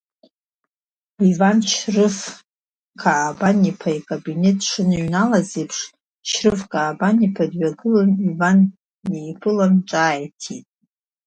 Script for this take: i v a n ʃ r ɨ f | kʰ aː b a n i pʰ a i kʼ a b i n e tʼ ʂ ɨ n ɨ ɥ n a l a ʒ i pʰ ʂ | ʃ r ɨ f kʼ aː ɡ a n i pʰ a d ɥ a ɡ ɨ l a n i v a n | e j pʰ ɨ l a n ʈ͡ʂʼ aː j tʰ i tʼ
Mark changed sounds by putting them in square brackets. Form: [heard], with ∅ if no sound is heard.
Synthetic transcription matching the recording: i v a n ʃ r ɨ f | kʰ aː b a n i pʰ a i kʼ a b i n e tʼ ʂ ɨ n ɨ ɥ n a l a [z] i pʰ ʂ | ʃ r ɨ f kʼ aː [b] a n i pʰ a d ɥ a ɡ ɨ l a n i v a n | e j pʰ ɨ l a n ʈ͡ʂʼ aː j tʰ i tʼ